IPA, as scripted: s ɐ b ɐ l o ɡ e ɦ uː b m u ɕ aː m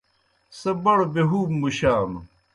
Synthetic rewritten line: s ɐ b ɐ ɽ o b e ɦ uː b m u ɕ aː m